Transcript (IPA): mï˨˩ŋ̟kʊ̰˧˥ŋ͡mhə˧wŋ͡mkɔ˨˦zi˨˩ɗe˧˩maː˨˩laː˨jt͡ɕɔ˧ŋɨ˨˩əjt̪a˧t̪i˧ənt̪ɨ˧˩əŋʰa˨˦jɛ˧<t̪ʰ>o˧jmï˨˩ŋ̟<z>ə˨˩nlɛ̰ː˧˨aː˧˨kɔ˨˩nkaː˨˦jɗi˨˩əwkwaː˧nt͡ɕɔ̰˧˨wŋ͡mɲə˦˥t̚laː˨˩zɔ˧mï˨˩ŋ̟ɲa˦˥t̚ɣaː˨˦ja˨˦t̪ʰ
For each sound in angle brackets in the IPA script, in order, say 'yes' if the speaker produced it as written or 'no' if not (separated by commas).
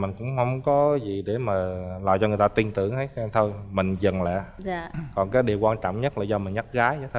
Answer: yes, yes